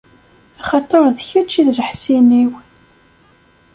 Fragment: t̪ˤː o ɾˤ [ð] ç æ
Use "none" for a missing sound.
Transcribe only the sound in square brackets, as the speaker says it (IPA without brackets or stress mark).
ð